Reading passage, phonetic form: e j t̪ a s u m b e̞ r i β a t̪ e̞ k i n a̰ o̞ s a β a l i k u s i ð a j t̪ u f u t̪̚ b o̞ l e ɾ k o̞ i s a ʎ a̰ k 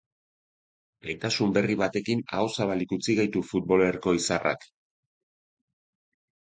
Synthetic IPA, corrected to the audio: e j t̪ a s u m b e̞ r i β a t̪ e̞ k i n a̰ o̞ s a β a l i k u t͡s i ɣ a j t̪ u f u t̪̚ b o̞ l e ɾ k o̞ i s a r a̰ k